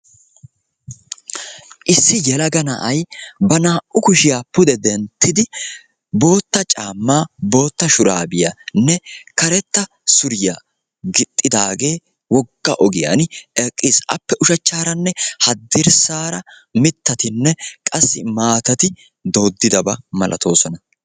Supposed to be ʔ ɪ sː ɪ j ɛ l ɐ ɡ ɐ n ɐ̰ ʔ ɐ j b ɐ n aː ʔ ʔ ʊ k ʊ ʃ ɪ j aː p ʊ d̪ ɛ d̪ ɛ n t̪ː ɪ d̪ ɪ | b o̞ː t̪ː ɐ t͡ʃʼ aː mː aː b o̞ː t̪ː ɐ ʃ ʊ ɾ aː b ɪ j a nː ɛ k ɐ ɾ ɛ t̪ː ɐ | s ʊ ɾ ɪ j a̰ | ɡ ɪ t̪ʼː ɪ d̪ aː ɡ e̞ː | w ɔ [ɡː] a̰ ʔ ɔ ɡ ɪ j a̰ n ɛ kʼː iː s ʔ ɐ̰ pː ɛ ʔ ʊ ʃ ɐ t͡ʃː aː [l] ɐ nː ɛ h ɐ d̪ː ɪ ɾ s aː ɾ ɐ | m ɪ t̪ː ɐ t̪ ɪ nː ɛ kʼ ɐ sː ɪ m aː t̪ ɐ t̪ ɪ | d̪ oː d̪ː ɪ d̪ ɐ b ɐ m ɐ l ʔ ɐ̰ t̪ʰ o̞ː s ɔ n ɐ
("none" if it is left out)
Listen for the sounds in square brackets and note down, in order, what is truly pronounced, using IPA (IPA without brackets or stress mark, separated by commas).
ɡː, ɾ